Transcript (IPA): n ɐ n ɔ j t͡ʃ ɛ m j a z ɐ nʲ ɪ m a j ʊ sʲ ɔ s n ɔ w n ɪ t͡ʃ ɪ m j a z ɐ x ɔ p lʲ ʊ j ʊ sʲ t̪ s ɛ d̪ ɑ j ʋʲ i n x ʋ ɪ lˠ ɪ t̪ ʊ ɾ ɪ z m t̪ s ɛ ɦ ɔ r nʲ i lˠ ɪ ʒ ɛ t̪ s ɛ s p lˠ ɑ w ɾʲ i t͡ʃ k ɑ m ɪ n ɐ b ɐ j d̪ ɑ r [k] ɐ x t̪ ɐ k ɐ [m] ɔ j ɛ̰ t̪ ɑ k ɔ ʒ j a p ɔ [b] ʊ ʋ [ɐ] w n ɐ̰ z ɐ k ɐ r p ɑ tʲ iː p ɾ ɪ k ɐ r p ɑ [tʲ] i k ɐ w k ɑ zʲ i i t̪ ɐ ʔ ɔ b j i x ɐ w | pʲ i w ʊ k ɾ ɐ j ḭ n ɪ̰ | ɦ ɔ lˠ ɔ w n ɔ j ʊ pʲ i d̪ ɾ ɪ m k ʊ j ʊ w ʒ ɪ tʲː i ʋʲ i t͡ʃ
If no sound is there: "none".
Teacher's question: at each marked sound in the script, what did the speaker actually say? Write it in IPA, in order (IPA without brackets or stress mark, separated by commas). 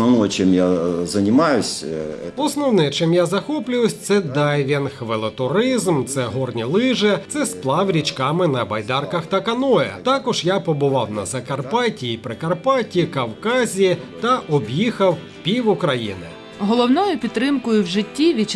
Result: k, n, b, ɑ, tʲ